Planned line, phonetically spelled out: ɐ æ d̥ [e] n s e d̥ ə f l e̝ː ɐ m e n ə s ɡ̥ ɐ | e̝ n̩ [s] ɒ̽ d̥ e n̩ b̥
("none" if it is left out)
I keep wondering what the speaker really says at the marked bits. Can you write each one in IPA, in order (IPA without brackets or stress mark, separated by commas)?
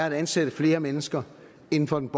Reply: æ, f